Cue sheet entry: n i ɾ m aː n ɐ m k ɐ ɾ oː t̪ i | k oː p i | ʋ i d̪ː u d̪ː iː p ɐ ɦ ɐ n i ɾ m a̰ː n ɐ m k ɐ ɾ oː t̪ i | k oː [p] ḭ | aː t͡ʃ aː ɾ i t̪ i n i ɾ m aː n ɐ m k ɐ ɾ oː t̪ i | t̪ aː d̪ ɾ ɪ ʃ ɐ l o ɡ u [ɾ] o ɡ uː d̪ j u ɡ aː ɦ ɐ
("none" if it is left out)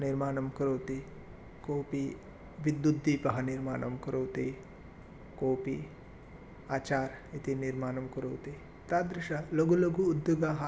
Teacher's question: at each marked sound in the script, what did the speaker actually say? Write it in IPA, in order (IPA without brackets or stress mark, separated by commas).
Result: p, l